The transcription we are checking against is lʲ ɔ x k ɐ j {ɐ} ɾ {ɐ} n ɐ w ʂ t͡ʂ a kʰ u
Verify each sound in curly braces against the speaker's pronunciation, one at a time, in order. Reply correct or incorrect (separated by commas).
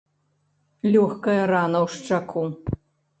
correct, incorrect